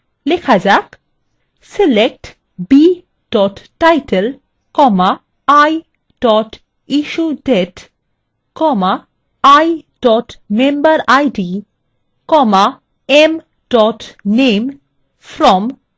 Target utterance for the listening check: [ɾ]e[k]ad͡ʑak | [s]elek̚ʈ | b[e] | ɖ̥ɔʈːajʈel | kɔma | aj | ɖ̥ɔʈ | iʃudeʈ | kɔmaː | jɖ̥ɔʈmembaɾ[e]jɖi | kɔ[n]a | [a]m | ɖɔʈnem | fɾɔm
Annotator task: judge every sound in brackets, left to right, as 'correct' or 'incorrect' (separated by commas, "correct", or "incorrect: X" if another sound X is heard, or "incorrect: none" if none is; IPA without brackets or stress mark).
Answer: incorrect: l, incorrect: kʰ, correct, incorrect: i, incorrect: a, incorrect: m, incorrect: e